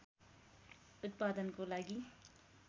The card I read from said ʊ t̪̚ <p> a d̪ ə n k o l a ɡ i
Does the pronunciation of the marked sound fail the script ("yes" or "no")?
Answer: no